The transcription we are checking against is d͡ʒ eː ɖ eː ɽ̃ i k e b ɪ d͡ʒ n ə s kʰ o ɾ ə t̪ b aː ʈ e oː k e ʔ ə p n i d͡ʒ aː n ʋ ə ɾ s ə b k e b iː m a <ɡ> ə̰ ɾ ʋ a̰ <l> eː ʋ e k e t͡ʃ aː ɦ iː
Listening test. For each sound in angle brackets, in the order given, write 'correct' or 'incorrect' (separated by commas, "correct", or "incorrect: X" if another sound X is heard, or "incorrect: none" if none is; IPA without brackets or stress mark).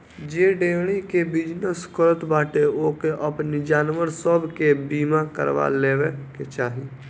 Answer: incorrect: k, correct